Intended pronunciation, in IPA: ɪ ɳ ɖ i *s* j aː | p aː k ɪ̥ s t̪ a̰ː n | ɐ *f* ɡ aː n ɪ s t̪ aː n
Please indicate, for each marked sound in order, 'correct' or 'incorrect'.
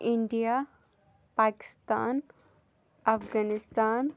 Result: incorrect, correct

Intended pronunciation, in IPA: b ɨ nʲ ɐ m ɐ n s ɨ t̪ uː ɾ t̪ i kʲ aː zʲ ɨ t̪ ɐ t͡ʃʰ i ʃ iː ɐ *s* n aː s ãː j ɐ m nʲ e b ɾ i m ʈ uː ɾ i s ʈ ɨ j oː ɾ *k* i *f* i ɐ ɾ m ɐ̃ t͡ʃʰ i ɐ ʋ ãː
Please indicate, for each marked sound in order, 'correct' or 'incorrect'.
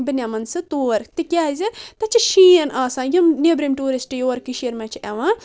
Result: incorrect, correct, incorrect

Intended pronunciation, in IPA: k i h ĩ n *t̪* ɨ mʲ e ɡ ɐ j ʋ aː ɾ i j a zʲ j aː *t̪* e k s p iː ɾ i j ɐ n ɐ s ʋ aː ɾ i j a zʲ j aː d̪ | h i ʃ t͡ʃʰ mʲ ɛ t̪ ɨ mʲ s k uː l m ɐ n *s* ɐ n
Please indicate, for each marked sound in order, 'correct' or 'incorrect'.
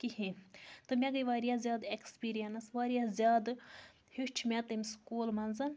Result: correct, incorrect, incorrect

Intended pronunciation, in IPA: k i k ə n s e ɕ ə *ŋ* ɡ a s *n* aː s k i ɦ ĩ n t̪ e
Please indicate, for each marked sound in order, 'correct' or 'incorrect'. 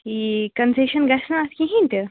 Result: incorrect, correct

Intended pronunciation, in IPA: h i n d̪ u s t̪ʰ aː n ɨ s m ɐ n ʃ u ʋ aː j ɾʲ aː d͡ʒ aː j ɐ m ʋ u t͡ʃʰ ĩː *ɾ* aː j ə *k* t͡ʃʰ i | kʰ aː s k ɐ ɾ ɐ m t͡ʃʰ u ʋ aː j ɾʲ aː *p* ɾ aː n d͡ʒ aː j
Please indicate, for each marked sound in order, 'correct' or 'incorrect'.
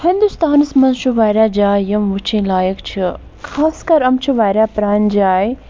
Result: incorrect, correct, correct

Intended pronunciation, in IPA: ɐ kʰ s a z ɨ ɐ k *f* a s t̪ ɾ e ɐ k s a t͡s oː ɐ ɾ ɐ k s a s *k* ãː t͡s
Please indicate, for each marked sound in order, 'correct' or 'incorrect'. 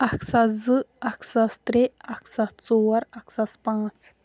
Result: incorrect, incorrect

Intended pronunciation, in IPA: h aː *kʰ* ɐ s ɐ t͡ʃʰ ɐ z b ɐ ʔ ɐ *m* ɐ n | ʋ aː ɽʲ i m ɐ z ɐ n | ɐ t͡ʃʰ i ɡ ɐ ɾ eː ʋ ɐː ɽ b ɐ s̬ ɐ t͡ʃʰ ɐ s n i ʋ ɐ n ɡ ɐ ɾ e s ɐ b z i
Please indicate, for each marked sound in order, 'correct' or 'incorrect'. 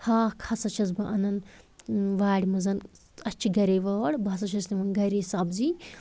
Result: correct, incorrect

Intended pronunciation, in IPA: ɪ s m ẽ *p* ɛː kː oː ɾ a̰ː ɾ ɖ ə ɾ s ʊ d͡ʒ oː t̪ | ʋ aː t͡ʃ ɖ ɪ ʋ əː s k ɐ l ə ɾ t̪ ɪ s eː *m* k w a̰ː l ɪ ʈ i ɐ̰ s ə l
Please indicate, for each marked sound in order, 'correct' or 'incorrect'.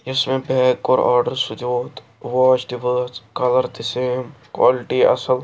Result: incorrect, correct

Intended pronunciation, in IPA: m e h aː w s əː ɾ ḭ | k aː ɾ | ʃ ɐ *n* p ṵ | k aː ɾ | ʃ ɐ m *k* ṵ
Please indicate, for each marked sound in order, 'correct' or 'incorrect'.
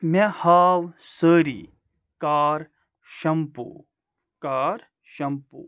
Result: incorrect, incorrect

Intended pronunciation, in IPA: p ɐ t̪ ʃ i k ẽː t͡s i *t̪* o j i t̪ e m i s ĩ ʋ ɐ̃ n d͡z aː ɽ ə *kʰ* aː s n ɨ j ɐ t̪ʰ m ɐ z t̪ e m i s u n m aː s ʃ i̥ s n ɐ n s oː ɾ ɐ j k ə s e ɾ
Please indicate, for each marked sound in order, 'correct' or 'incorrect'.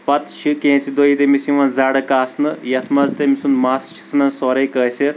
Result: incorrect, incorrect

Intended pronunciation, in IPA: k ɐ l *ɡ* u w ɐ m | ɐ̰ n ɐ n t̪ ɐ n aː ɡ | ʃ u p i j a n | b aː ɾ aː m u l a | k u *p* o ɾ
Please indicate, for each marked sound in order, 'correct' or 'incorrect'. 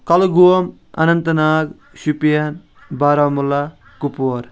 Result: correct, correct

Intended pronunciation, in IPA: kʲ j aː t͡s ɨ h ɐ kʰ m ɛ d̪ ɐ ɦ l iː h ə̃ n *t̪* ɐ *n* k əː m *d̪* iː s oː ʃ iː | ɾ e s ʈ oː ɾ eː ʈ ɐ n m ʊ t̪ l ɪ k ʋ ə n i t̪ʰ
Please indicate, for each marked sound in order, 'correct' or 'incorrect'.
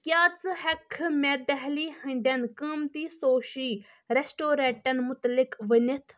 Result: incorrect, correct, incorrect

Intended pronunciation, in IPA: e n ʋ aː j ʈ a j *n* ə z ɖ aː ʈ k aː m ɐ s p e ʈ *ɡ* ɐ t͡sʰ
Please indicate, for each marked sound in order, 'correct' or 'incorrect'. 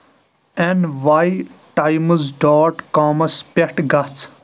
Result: incorrect, correct

